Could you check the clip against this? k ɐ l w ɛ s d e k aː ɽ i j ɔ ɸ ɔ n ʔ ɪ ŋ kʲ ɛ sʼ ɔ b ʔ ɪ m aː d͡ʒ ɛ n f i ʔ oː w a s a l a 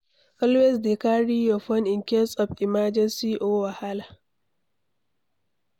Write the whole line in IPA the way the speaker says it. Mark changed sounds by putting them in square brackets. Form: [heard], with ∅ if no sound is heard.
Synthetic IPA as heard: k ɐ l w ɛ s d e k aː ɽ i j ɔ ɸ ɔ n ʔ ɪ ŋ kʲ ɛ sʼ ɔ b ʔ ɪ m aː d͡ʒ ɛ n [s] i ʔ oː w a [h] a l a